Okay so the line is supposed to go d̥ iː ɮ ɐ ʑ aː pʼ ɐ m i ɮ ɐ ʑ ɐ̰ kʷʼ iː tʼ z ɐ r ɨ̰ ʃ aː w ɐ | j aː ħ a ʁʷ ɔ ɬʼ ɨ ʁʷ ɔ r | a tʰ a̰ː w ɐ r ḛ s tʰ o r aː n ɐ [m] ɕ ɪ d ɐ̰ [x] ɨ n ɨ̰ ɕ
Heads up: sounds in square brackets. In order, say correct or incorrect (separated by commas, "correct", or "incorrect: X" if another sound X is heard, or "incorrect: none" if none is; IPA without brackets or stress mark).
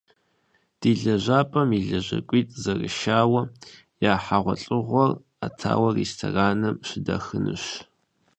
correct, correct